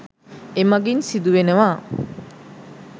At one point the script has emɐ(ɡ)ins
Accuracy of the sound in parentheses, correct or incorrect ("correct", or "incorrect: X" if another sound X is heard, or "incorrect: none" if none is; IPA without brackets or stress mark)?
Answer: correct